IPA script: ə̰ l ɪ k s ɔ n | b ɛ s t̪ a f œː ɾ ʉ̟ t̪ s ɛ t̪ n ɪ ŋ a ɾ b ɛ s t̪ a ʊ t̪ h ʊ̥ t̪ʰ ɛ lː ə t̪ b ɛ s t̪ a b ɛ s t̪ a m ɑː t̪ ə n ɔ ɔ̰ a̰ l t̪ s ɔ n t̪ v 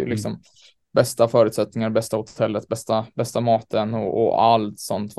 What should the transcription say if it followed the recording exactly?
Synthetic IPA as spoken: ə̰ l ɪ k s ɔ m | b ɛ s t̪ a f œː ɾ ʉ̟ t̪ s ɛ t̪ n ɪ ŋ a ɾ b ɛ s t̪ a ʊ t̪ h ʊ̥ t̪ʰ ɛ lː ə t̪ b ɛ s t̪ a b ɛ s t̪ a m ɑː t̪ ə n ɔ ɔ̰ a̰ l t̪ s ɔ n t̪ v